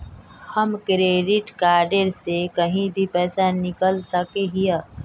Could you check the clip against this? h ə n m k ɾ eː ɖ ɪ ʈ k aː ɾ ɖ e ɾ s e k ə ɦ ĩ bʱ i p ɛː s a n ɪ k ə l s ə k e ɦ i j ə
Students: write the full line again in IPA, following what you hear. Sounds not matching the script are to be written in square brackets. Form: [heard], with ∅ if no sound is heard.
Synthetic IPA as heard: h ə [∅] m k ɾ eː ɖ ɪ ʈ k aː ɾ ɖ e ɾ s e k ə ɦ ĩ bʱ i p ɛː s a n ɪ k ə l s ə k e ɦ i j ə

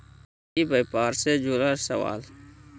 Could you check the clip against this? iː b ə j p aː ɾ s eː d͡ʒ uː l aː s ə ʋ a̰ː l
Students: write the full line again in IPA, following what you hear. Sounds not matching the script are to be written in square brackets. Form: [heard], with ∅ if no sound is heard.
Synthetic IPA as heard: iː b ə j p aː ɾ s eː d͡ʒ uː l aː s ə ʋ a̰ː l

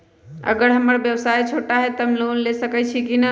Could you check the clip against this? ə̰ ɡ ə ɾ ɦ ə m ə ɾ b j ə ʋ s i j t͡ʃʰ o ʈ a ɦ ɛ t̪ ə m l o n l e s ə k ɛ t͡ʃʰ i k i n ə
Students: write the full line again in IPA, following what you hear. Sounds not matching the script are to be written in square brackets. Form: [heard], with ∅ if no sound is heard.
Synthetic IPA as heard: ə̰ ɡ ə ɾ ɦ ə m ə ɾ b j ə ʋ s [a] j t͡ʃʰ o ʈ a ɦ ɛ t̪ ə m l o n l e s ə k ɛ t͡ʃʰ i k i n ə

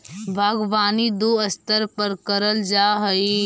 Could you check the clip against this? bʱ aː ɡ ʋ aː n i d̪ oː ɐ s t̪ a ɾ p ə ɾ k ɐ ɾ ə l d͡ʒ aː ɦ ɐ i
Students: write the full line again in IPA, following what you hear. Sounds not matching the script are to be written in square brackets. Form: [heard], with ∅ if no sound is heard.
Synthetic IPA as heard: bʱ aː ɡ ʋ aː n i d̪ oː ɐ s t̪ [ə] ɾ p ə ɾ k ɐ ɾ ə l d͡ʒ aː ɦ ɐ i

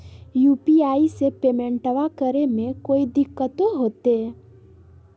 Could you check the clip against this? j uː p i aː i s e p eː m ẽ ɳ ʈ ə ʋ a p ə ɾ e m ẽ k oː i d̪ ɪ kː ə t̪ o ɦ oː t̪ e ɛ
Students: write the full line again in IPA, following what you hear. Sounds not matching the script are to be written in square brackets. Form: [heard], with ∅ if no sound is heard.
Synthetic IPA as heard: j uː p i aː i s e p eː m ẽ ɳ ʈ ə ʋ a [k] ə ɾ e m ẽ k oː i d̪ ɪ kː ə t̪ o ɦ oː t̪ e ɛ

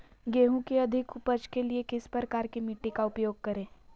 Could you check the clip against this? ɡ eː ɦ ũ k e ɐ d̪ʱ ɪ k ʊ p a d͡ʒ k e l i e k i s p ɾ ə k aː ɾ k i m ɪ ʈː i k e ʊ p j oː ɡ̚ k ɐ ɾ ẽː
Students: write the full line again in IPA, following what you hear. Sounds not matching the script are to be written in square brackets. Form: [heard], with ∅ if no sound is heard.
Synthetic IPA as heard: ɡ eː ɦ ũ k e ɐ d̪ʱ ɪ k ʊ p [ə] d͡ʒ k e l i e k [ɪ] s p ɾ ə k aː ɾ k i m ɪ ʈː i k [a] ʊ p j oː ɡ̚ k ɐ ɾ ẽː

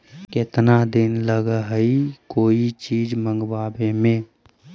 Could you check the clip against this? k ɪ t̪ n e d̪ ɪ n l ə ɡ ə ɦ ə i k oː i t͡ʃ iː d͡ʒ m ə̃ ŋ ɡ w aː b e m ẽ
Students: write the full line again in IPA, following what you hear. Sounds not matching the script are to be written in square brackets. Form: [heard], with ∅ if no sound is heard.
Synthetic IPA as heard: k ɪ t̪ n [a] d̪ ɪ n l ə ɡ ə ɦ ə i k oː i t͡ʃ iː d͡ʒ m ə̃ ŋ ɡ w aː b e m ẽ

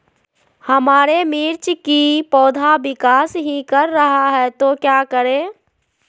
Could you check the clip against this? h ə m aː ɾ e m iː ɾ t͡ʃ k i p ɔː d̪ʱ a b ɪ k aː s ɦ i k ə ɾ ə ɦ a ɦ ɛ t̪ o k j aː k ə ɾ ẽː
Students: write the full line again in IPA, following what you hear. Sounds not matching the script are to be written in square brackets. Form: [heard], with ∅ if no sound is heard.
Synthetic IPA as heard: h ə m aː ɾ e m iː ɾ t͡ʃ k i p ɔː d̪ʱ a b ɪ k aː s ɦ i k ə [ɾː] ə ɦ a ɦ ɛ t̪ o k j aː k ə ɾ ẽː

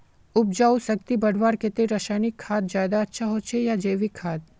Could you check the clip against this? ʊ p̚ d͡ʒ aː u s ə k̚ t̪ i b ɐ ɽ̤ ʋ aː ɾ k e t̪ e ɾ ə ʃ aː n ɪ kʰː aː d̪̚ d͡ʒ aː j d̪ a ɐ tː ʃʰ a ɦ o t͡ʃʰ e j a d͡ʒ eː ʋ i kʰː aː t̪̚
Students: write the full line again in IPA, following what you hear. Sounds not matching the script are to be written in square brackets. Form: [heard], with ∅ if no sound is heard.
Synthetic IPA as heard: ʊ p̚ d͡ʒ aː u s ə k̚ t̪ i b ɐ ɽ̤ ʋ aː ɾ k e t̪ e ɾ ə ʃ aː n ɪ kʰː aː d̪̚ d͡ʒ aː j d̪ a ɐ tː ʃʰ a ɦ o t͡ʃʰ e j a d͡ʒ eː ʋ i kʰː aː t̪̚

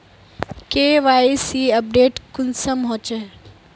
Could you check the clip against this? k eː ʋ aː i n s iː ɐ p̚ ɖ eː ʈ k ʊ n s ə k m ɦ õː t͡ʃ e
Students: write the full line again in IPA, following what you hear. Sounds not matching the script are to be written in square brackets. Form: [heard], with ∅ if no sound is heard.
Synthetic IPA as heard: k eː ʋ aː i [∅] s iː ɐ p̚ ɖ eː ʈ k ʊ n s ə [∅] m ɦ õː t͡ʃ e

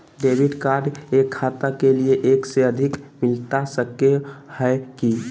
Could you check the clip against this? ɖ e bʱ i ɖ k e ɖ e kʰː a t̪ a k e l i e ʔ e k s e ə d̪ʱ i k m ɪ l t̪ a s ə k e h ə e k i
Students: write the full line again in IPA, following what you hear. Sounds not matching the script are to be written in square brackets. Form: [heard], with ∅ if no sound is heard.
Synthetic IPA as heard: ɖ e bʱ i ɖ k [a] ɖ e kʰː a t̪ a k e l i e ʔ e k s e ə d̪ʱ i k m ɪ l t̪ a s ə k e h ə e k i

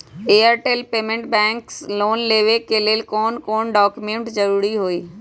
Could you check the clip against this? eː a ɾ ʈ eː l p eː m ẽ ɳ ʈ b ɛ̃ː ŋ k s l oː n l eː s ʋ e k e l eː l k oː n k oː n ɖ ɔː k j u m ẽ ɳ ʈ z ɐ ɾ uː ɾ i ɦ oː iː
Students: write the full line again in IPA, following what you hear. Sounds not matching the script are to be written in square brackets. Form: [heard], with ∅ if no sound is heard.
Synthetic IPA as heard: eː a ɾ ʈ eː l p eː m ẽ ɳ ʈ b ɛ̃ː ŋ k s l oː n l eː [∅] ʋ e k e l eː l k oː n k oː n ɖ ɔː k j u m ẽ ɳ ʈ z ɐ ɾ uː ɾ i ɦ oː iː

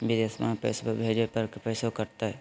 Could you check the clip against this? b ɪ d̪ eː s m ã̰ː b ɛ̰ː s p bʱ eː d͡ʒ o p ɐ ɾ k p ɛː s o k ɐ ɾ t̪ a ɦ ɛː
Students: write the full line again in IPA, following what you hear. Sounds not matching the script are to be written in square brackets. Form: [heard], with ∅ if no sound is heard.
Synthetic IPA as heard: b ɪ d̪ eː s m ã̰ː [p] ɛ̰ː s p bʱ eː d͡ʒ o p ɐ ɾ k p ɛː s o k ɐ ɾ t̪ a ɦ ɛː

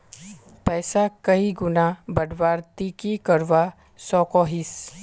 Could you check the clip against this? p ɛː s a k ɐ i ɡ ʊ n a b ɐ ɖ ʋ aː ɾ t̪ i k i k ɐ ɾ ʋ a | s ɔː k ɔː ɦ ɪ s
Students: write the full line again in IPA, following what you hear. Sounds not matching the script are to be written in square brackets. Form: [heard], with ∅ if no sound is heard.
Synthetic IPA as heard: p ɛː s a k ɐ i ɡ ʊ n a b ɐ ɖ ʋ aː ɾ t̪ i k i k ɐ ɾ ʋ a | s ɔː k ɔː ɦ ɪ s

